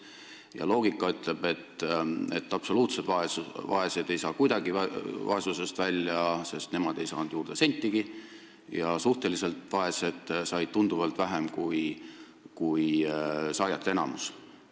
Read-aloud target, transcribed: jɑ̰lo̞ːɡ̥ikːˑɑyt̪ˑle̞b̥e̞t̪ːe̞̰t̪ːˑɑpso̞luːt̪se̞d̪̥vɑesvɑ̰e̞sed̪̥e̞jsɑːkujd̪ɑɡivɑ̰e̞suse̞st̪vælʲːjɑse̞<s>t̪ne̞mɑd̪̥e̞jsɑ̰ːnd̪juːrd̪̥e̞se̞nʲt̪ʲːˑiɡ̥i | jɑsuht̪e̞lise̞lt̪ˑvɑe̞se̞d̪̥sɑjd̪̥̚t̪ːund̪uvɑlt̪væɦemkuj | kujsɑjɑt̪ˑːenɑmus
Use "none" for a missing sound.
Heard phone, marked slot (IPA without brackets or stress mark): s